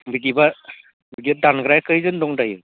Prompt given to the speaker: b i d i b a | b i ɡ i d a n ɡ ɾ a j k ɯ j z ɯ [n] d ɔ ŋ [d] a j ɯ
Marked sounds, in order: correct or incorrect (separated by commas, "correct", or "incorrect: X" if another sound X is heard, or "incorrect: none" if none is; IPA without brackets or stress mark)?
correct, correct